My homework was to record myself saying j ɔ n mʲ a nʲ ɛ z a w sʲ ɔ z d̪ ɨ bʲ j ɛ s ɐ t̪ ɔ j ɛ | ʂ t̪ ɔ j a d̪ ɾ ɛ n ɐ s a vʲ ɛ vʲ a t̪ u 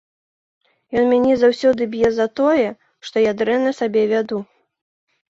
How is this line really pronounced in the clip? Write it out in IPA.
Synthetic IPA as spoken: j ɔ n mʲ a nʲ ɛ z a w sʲ ɔ d̪ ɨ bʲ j ɛ z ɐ t̪ ɔ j ɛ | ʂ t̪ ɔ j a d̪ ɾ ɛ n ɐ s a bʲ ɛ vʲ a d̪ u